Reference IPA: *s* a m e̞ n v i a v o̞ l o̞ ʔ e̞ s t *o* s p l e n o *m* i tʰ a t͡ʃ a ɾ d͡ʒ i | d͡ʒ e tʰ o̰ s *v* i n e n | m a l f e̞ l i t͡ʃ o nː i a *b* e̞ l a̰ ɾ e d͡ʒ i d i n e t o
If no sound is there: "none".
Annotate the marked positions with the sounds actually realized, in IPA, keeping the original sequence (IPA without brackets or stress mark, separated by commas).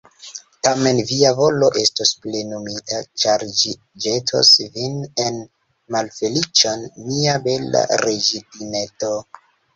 t, o, m, v, b